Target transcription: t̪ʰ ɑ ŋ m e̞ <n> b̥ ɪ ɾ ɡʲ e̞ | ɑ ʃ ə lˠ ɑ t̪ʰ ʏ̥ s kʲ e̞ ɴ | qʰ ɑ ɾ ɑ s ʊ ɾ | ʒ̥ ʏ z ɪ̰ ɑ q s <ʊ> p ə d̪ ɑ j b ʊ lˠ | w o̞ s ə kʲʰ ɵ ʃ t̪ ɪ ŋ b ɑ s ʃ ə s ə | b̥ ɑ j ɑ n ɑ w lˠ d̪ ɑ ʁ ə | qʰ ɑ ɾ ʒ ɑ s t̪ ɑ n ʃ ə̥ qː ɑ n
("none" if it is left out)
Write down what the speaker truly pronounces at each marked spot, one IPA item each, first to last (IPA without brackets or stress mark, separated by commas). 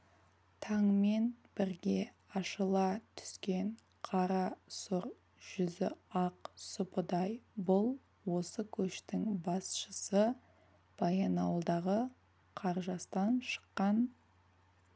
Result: n, ʊ